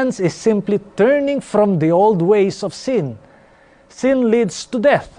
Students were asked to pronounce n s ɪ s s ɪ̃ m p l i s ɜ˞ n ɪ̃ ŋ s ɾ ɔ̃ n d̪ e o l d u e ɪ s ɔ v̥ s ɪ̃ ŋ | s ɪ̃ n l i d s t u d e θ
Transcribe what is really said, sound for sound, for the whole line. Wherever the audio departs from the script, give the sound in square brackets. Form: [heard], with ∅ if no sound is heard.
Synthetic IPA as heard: n s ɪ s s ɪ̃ m p l i [t] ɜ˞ n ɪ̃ ŋ [f] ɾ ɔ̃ [m] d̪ [i] o l d [w] e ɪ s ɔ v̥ s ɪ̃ [n] | s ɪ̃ n l i d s t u d [ɛ] θ